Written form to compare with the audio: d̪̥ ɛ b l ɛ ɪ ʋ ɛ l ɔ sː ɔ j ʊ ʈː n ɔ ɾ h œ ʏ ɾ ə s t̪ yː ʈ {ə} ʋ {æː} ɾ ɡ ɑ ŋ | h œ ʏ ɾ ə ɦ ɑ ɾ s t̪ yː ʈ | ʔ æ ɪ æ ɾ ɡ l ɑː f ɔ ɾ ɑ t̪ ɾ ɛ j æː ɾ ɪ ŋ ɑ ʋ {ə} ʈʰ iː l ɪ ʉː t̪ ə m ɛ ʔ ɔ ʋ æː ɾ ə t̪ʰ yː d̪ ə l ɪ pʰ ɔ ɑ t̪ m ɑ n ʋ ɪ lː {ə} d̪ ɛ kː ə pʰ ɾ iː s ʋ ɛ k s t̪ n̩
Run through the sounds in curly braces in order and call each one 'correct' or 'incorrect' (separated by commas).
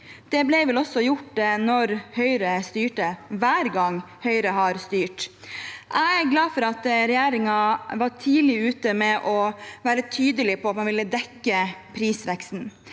correct, correct, incorrect, correct